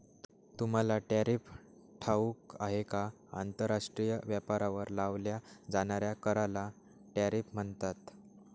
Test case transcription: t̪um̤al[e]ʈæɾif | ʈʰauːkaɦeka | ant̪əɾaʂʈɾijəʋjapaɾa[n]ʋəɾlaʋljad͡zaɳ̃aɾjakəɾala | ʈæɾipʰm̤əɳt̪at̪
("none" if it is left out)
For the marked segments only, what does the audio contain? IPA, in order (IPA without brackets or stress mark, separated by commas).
a, none